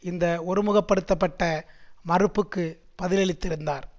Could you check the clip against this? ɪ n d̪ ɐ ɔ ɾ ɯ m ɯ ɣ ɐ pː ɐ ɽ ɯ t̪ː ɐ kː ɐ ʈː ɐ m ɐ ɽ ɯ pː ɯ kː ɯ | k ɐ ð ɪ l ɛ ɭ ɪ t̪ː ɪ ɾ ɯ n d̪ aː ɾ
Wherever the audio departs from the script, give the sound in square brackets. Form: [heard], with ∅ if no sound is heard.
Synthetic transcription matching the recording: ɪ n d̪ ɐ ɔ ɾ ɯ m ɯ ɣ ɐ pː ɐ ɽ ɯ t̪ː ɐ [pː] ɐ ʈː ɐ m ɐ [r] ɯ pː ɯ kː ɯ | [p] ɐ ð ɪ l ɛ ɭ ɪ t̪ː ɪ ɾ ɯ n d̪ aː ɾ